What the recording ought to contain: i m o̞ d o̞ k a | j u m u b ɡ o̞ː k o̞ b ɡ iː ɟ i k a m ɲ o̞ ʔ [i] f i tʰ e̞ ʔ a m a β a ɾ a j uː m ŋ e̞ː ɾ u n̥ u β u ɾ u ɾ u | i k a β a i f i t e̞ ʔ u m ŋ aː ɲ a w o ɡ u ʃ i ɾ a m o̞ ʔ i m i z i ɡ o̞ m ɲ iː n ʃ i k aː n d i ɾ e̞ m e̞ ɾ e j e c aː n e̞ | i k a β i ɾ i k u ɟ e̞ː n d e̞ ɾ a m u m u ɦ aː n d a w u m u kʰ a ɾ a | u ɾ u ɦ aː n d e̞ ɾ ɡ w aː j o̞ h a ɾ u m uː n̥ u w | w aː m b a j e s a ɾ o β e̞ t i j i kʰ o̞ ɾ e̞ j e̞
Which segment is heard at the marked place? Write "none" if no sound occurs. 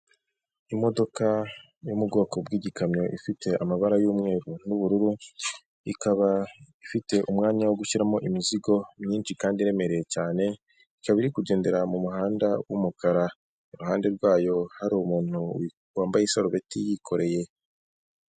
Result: i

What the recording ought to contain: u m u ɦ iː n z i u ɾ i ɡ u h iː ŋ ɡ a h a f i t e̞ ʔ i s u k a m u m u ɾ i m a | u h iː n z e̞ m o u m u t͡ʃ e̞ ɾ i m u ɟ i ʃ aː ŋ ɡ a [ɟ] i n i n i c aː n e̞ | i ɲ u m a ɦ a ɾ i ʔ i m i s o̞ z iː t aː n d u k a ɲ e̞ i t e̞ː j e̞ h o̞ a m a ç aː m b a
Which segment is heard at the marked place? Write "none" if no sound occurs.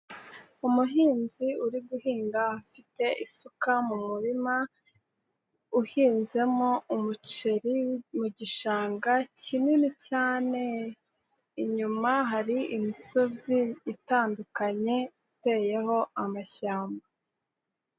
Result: c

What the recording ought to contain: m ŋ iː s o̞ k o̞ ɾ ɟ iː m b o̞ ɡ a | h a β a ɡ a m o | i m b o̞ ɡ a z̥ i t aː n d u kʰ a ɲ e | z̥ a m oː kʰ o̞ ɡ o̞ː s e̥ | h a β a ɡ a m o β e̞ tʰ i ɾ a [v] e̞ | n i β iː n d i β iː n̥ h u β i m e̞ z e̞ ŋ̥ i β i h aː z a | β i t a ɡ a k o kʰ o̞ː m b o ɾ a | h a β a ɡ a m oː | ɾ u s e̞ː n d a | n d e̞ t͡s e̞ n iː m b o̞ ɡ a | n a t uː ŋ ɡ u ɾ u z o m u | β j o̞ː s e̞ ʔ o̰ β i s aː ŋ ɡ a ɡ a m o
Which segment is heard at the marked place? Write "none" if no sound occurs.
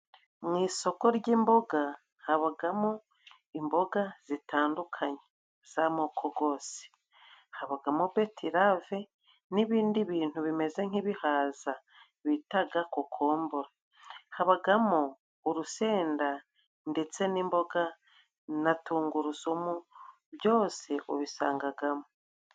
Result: v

